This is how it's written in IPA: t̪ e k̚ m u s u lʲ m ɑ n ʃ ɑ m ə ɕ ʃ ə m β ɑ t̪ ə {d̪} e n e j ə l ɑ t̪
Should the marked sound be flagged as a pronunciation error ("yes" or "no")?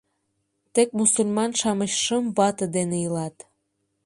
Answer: no